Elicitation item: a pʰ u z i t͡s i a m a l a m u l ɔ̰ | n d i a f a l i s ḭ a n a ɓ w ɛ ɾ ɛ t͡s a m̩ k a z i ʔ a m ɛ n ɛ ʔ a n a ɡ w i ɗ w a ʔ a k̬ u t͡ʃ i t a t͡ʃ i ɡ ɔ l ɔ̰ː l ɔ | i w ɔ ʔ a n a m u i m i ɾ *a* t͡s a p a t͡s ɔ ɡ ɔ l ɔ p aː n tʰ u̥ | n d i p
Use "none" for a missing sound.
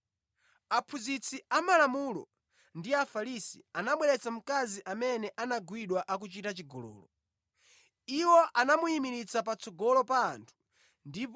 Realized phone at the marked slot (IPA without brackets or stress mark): i